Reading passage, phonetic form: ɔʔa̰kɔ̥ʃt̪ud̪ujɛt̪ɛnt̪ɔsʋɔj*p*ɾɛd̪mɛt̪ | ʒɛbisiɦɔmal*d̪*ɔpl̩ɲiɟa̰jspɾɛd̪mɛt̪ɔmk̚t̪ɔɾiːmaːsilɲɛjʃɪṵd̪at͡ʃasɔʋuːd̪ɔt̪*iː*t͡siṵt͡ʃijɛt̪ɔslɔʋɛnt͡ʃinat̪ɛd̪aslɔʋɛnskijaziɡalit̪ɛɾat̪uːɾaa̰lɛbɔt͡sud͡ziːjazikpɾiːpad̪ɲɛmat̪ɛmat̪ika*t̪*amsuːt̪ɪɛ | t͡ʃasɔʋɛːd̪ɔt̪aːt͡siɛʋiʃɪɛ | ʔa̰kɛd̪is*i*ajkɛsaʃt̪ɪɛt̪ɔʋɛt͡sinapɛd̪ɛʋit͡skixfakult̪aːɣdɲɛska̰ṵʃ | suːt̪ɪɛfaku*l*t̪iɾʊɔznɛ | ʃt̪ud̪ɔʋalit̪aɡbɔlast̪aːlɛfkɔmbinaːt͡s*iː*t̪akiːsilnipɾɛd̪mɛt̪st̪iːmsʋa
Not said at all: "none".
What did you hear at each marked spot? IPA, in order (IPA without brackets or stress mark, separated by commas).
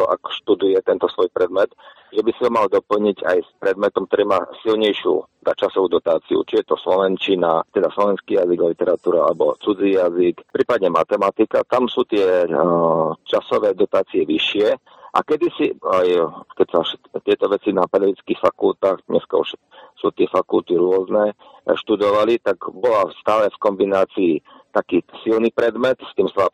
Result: p, d̪, aː, t̪, i, l, iː